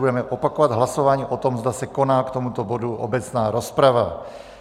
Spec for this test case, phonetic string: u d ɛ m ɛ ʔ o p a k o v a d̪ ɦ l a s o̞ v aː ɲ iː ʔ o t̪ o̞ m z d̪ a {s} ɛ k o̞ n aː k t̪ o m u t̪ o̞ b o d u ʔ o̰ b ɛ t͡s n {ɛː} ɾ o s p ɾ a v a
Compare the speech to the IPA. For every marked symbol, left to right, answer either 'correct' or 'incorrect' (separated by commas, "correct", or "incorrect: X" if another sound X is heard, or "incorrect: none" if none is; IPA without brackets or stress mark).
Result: correct, incorrect: aː